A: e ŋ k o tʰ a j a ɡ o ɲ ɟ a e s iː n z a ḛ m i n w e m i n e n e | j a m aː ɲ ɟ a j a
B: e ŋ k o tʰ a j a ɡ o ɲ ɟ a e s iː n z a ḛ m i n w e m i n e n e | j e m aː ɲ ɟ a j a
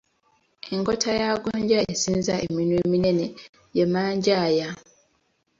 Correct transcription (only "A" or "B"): B